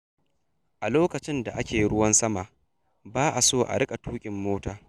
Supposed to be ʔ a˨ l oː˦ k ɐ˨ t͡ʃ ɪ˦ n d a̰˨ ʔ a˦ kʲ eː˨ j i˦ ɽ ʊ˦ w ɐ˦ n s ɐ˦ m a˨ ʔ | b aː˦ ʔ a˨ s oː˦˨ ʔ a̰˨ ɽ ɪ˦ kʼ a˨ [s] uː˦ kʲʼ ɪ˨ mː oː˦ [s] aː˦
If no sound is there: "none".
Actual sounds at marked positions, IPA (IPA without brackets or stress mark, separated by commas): t, t